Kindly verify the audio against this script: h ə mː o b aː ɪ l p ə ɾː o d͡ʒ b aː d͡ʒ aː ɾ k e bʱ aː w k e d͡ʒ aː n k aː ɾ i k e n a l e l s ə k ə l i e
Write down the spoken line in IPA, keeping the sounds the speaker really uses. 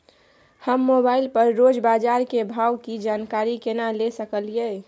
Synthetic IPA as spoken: h ə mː o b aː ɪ l p ə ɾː o d͡ʒ b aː d͡ʒ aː ɾ k e bʱ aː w k i d͡ʒ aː n k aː ɾ i k e n a l e s ə k ə l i e